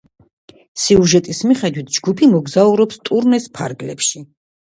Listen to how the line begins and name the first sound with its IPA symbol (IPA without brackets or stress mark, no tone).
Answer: s